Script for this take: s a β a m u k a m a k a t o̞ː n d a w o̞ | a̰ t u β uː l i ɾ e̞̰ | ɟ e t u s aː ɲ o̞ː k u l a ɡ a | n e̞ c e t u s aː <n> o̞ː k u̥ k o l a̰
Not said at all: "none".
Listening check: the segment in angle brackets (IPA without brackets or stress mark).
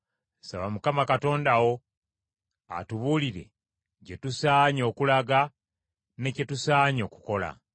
ɲ